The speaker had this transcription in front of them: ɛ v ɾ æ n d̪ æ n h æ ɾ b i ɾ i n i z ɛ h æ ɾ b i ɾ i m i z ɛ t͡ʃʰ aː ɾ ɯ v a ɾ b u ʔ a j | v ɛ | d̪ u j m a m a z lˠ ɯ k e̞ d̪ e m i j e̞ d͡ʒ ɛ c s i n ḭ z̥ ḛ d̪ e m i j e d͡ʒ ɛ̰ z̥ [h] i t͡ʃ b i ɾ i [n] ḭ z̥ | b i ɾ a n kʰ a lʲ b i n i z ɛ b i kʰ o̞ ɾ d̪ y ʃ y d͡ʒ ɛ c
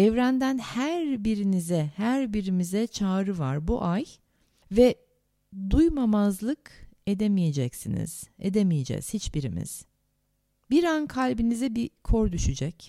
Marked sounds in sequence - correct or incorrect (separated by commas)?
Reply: correct, incorrect